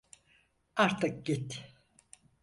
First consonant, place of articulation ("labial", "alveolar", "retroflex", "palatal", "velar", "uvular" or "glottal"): alveolar